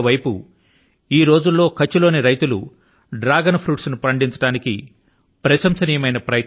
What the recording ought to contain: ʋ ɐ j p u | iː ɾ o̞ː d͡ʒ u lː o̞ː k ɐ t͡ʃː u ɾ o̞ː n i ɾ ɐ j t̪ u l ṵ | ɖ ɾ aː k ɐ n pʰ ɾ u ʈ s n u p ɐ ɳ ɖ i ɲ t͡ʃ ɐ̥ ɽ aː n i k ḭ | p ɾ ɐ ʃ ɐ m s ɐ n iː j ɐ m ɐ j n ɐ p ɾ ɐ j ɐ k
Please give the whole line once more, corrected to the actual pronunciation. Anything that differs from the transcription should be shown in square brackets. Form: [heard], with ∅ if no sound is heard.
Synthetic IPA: ʋ ɐ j p u | iː ɾ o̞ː d͡ʒ u lː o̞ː k ɐ t͡ʃː u [l] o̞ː n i ɾ ɐ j t̪ u l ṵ | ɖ ɾ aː [ɡ] ɐ n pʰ ɾ [uː] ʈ s n u p ɐ ɳ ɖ i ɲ t͡ʃ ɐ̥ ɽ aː n i k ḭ | p ɾ ɐ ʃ ɐ m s ɐ n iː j ɐ m ɐ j n ɐ p ɾ ɐ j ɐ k